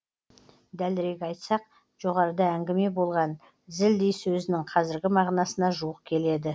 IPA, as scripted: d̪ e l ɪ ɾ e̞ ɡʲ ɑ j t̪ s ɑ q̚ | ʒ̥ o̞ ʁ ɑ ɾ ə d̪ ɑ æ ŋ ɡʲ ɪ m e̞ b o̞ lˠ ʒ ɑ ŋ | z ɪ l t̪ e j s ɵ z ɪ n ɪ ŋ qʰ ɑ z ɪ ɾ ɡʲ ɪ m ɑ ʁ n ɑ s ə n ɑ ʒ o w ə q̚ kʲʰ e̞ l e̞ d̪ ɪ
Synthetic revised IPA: d̪ æ l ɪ ɾ e̞ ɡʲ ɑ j t̪ s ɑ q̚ | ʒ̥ o̞ ʁ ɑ ɾ ə d̪ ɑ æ ŋ ɡʲ ɪ m e̞ b o̞ lˠ ʁ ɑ n | z ɪ l d̪ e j s ɵ z ɪ n ɪ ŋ qʰ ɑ z ɪ ɾ ɡʲ ɪ m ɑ ʁ n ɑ s ə n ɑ ʒ u w ə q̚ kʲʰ e̞ l e̞ d̪ ɪ